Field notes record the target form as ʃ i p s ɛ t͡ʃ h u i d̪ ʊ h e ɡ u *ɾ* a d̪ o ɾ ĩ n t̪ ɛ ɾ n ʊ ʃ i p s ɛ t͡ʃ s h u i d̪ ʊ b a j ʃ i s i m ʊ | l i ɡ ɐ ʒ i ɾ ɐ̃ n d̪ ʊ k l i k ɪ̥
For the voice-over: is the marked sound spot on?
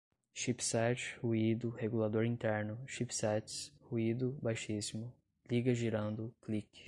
no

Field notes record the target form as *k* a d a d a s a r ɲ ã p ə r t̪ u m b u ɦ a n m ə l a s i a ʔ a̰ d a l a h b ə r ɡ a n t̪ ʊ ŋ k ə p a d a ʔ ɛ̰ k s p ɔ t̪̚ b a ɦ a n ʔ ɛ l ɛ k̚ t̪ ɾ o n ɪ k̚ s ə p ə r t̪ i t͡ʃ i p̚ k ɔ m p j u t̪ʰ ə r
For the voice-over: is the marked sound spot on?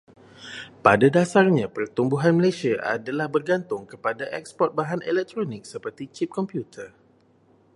no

